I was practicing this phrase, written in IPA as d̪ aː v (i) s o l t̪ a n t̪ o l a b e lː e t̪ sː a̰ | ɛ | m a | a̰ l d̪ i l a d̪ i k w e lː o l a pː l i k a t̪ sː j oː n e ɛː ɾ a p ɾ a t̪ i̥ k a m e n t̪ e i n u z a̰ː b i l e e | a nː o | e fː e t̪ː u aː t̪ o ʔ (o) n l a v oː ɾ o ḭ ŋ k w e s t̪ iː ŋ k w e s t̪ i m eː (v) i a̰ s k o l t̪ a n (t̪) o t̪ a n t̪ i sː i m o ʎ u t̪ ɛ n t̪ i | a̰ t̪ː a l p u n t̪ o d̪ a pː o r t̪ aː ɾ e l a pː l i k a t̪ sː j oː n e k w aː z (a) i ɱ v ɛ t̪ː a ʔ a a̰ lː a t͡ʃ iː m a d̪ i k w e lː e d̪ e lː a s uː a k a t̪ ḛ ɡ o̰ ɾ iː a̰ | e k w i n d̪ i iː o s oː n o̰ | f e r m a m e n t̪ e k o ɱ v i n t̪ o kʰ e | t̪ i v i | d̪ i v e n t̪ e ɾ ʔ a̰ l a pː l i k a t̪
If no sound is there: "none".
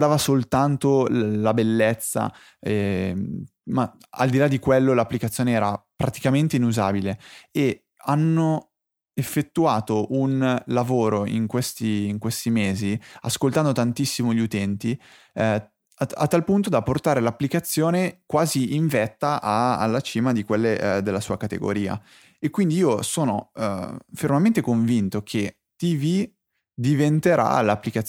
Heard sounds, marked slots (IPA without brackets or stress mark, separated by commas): a, u, z, d̪, i